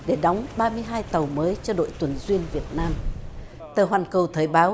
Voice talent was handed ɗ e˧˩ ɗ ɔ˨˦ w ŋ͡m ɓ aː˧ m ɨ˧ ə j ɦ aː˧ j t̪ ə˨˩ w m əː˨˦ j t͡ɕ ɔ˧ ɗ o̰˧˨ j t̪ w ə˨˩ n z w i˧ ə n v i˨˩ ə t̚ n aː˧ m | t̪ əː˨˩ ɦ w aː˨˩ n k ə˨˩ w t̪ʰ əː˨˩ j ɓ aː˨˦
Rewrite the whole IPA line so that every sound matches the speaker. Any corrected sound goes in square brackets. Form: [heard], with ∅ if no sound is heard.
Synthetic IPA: ɗ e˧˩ ɗ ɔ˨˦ w ŋ͡m ɓ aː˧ m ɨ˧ ə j ɦ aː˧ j t̪ ə˨˩ w m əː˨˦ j t͡ɕ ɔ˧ ɗ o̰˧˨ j t̪ w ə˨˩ n z w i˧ ə n v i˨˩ ə t̚ n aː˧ m | t̪ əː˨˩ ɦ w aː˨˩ n k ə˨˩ w t̪ʰ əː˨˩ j ɓ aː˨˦